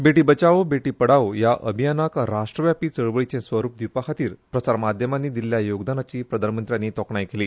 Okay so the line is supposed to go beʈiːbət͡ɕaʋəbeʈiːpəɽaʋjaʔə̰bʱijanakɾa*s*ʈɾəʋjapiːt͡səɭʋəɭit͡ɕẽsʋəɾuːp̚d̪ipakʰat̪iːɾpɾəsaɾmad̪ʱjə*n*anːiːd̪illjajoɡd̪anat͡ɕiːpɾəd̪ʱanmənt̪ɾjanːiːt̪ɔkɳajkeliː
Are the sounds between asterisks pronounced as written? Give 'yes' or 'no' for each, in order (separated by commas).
no, no